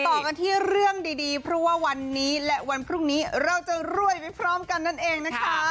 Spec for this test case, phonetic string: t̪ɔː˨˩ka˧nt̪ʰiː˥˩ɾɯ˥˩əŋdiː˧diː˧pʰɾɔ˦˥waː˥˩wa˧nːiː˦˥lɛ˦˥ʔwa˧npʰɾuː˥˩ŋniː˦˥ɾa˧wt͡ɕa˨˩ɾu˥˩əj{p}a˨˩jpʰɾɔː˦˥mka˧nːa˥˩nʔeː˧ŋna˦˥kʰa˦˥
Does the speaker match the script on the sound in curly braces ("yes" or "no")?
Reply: yes